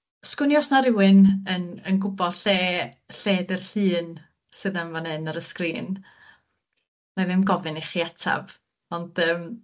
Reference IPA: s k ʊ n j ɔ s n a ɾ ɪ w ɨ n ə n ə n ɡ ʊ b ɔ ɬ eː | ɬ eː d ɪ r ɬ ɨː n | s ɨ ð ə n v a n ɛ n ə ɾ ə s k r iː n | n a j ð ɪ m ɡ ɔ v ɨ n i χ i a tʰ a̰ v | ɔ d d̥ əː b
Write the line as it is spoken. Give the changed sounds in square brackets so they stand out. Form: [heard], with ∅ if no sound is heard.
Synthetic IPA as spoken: s k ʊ n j ɔ s n a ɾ ɪ w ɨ n ə n ə n ɡ ʊ b ɔ ɬ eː | ɬ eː d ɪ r ɬ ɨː n | s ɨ ð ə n v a n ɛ n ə ɾ ə s k r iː n | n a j ð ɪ m ɡ ɔ v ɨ n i χ i a tʰ a̰ v | ɔ [n] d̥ əː [m]